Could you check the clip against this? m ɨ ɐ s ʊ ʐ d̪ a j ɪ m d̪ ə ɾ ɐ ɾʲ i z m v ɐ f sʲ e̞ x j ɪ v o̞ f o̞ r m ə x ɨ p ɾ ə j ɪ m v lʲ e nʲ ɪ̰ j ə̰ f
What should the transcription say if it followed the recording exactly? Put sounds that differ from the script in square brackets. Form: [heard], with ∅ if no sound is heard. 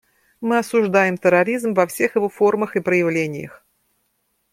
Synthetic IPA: m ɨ ɐ s ʊ ʐ d̪ a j ɪ m [t̪] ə ɾ ɐ ɾʲ i z m v ɐ f sʲ e̞ x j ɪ v o̞ f o̞ r m ə x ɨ p ɾ ə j ɪ [∅] v lʲ e nʲ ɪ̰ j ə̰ [x]